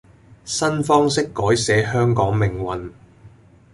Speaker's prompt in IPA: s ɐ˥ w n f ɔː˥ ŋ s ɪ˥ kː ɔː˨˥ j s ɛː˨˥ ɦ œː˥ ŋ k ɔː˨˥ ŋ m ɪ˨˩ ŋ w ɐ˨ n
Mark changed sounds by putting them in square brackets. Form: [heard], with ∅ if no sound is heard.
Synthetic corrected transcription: s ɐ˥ [∅] n f ɔː˥ ŋ s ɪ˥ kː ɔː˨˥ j s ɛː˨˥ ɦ œː˥ ŋ k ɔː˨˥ ŋ m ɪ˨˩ ŋ w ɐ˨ n

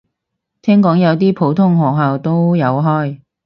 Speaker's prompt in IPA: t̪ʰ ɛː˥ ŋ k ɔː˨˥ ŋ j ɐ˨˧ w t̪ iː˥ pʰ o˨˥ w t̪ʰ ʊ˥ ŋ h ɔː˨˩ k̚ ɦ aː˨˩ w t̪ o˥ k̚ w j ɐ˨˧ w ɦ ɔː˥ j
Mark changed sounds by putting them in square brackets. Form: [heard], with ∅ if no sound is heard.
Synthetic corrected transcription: t̪ʰ ɛː˥ ŋ k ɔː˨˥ ŋ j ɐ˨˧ w t̪ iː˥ pʰ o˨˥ w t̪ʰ ʊ˥ ŋ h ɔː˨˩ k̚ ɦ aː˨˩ w t̪ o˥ [∅] w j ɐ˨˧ w ɦ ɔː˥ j

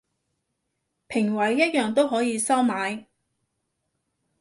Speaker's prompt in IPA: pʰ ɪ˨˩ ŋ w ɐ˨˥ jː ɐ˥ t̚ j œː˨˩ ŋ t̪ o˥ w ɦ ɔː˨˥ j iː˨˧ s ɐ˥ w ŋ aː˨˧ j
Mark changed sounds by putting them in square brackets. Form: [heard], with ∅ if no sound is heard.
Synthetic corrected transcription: pʰ ɪ˨˩ ŋ w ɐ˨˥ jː ɐ˥ t̚ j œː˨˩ ŋ t̪ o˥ w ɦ ɔː˨˥ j iː˨˧ s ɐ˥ w [m] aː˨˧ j

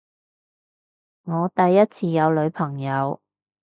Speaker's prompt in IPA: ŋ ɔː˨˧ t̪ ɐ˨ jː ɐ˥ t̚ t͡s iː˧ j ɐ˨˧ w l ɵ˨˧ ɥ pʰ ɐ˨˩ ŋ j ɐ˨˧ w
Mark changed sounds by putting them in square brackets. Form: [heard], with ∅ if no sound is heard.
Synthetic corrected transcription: ŋ ɔː˨˧ t̪ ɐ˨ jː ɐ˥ t̚ [t͡sʰ] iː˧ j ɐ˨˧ w l ɵ˨˧ ɥ pʰ ɐ˨˩ ŋ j ɐ˨˧ w

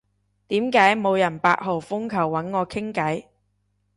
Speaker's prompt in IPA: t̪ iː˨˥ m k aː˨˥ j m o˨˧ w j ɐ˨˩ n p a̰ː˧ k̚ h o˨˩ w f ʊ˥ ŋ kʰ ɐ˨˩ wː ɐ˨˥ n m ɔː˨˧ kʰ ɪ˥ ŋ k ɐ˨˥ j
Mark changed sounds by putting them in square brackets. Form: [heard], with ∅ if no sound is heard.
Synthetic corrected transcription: t̪ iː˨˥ m k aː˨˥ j m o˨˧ w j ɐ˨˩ n p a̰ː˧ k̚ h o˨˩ w f ʊ˥ ŋ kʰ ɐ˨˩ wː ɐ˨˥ n [ŋ] ɔː˨˧ kʰ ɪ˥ ŋ k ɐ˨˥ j

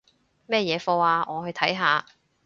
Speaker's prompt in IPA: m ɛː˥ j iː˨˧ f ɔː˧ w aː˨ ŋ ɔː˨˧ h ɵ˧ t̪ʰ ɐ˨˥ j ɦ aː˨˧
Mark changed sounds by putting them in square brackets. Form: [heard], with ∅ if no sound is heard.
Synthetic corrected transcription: m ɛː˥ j [ɛː˨˧] f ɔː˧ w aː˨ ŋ ɔː˨˧ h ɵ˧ t̪ʰ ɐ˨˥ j ɦ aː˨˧

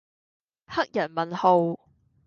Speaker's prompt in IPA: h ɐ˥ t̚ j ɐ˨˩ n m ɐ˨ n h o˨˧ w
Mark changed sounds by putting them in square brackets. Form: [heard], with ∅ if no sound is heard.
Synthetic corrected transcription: h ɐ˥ [k̚] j ɐ˨˩ n m ɐ˨ n h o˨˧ w

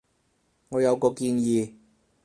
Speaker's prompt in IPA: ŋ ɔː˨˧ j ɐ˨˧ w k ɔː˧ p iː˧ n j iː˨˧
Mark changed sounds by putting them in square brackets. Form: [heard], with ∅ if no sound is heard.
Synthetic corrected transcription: ŋ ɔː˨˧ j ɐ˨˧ w k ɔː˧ [k] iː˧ n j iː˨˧

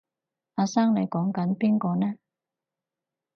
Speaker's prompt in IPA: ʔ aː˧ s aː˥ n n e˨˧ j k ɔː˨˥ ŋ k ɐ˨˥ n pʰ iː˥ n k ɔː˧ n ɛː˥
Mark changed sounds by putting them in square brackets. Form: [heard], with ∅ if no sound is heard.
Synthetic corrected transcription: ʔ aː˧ s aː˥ [ŋ] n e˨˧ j k ɔː˨˥ ŋ k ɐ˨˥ n [p] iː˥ n k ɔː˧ n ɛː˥

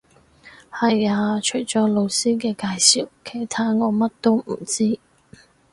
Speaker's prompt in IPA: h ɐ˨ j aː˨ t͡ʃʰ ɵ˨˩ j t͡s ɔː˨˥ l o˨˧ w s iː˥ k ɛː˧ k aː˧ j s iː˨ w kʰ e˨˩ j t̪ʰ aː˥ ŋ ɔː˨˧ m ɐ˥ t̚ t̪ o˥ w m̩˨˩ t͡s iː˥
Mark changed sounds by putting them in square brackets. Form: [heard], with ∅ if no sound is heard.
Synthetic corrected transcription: h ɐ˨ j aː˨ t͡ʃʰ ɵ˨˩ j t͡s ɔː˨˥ l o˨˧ w s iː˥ k ɛː˧ k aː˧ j s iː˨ w kʰ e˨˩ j t̪ʰ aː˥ ŋ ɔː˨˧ m ɐ˥ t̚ t̪ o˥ w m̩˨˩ t͡s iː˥

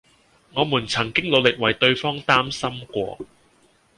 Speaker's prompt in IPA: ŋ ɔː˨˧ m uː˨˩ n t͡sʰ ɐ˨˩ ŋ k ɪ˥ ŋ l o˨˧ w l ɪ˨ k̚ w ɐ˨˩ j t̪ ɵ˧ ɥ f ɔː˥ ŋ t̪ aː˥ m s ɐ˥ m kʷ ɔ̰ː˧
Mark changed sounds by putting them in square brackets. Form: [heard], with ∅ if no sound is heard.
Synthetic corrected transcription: ŋ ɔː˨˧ m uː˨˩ n t͡sʰ ɐ˨˩ ŋ k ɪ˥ ŋ l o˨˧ w l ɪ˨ k̚ w ɐ˨˩ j t̪ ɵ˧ ɥ f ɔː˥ ŋ t̪ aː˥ m s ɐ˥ m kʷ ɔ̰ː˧

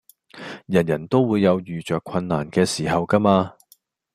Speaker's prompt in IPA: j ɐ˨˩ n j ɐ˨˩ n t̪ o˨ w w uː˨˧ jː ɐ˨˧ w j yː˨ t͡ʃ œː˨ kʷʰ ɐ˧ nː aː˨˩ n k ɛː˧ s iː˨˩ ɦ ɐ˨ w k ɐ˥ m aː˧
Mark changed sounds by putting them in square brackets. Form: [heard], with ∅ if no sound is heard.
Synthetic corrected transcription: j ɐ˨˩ n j ɐ˨˩ n t̪ [o˥] w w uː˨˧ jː ɐ˨˧ w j yː˨ t͡ʃ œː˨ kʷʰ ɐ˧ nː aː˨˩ n k ɛː˧ s iː˨˩ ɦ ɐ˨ w k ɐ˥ m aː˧

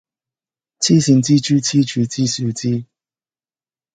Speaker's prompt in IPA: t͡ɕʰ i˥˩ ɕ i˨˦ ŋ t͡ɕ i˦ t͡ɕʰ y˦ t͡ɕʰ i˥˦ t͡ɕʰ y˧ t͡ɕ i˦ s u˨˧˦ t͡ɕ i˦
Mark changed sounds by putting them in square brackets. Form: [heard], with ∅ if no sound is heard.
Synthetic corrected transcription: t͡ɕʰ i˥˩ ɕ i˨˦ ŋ t͡ɕ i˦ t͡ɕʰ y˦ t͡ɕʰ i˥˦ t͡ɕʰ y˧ t͡ɕ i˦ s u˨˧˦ t͡ɕ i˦

